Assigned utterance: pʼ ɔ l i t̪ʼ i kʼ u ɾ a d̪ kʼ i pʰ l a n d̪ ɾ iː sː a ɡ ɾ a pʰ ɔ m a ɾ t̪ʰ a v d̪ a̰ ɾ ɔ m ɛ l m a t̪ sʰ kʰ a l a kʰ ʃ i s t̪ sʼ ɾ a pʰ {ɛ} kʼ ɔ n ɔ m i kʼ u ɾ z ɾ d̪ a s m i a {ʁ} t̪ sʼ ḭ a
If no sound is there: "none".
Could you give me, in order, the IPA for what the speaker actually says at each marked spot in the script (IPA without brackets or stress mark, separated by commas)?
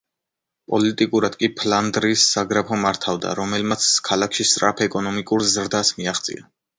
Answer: ɛ, χ